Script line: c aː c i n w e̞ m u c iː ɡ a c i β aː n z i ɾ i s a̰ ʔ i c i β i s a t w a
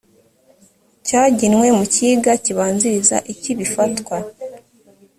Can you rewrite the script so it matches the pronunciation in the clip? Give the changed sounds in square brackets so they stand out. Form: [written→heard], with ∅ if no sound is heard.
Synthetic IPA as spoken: c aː [c→ɟ] i n w e̞ m u c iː ɡ a c i β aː n z i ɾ i [s→z] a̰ ʔ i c i β i [s→f] a t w a